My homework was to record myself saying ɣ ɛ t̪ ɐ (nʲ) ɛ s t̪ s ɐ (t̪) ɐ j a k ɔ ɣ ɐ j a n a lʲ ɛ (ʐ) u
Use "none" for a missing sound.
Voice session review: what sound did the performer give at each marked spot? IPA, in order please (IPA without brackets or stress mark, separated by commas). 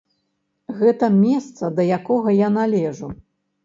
mʲ, d̪, ʐ